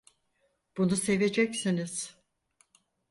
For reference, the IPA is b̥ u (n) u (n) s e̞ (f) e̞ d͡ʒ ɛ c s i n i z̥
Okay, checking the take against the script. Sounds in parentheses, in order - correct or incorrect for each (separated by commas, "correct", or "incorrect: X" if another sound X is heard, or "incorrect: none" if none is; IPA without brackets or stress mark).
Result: correct, incorrect: none, incorrect: v